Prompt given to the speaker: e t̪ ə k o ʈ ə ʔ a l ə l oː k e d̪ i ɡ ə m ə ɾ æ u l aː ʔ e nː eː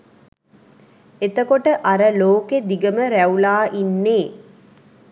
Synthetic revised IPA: e t̪ ə k o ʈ ə ʔ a ɾ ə l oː k e d̪ i ɡ ə m ə ɾ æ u l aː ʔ i nː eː